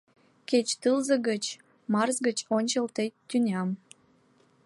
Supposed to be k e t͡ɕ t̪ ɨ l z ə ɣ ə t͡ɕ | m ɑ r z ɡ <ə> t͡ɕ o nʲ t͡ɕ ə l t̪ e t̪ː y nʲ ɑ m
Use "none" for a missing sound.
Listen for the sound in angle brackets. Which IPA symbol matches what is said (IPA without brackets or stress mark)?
ə